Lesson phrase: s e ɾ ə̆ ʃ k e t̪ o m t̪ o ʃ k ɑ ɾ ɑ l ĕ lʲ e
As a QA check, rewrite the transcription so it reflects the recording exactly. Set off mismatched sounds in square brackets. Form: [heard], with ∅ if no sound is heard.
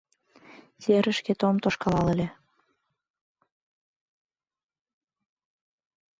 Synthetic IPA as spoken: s e ɾ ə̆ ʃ k e t̪ o m t̪ o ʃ k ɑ [l] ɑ l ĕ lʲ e